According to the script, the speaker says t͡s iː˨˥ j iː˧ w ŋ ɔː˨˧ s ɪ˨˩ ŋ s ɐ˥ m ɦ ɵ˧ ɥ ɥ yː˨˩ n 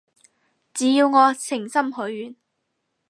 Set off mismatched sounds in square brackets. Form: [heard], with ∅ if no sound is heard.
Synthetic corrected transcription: t͡s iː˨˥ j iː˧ w ŋ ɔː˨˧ s ɪ˨˩ ŋ s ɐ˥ m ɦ [ɵ˨˥] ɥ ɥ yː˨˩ n